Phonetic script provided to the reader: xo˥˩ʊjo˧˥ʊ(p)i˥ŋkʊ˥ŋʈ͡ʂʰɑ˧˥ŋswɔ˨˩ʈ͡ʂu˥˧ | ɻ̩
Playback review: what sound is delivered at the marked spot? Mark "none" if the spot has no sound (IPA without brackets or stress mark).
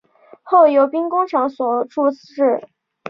p